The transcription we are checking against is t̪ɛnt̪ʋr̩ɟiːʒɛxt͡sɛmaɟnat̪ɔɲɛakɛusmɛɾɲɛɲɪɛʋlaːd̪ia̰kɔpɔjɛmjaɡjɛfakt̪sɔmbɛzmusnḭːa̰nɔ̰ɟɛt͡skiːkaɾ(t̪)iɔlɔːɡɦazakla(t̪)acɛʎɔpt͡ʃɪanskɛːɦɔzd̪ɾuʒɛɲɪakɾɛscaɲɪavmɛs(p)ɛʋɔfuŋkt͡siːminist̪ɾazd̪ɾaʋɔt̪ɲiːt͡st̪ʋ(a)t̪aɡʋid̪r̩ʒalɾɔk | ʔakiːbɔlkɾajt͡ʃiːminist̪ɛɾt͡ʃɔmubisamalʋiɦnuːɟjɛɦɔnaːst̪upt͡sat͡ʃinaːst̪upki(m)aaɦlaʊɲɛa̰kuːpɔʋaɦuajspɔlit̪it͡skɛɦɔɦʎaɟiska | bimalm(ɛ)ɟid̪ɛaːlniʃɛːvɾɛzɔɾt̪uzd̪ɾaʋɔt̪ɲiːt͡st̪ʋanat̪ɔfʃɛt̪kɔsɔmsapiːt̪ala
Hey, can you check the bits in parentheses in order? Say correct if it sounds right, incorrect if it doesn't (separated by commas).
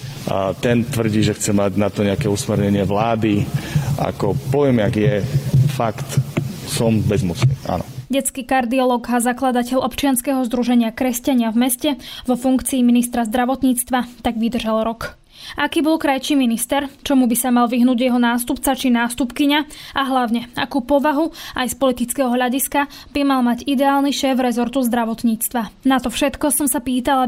incorrect, incorrect, incorrect, correct, incorrect, incorrect